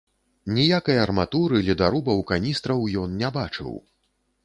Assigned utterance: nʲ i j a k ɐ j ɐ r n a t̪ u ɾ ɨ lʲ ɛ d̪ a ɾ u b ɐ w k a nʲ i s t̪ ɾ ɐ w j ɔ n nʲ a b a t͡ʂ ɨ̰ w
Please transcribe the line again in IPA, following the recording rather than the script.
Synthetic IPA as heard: nʲ i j a k ɐ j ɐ r m a t̪ u ɾ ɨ lʲ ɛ d̪ a ɾ u b ɐ w k a nʲ i s t̪ ɾ ɐ w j ɔ n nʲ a b a t͡ʂ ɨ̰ w

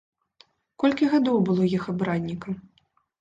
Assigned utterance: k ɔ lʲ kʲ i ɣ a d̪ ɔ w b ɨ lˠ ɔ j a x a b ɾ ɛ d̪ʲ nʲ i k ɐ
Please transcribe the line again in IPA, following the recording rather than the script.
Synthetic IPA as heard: k ɔ lʲ kʲ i ɣ a d̪ ɔ w b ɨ lˠ ɔ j i x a b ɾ a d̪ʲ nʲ i k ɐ

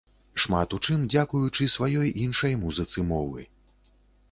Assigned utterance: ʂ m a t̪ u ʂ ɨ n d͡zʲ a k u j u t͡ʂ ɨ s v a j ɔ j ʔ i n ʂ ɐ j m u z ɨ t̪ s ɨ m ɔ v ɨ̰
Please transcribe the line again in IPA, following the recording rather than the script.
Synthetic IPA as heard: ʂ m a t̪ u t͡ʂ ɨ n d͡zʲ a k u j u t͡ʂ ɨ s v a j ɔ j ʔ i n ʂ ɐ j m u z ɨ t̪ s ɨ m ɔ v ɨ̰

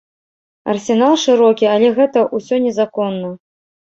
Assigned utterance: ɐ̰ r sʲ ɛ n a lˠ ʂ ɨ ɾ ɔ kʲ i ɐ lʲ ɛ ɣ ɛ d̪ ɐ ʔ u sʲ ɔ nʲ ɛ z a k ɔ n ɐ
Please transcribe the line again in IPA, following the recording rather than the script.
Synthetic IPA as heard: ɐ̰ r sʲ ɛ n a lˠ ʂ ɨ ɾ ɔ kʲ i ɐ lʲ ɛ ɣ ɛ t̪ ɐ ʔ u sʲ ɔ nʲ ɛ z a k ɔ nː ɐ

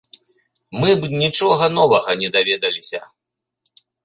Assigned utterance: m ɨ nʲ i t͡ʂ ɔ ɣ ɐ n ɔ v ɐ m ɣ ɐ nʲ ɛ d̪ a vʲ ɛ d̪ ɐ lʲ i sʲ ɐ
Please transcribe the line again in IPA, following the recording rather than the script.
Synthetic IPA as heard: m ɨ nʲ i t͡ʂ ɔ ɣ ɐ n ɔ v ɐ ɣ ɐ nʲ ɛ d̪ a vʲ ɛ d̪ ɐ lʲ i sʲ ɐ

